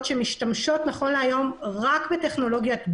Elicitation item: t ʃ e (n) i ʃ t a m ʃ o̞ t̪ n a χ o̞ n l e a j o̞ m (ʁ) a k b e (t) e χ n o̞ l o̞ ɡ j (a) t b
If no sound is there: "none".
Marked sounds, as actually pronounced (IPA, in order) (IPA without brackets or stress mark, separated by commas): m, ʁ, t, a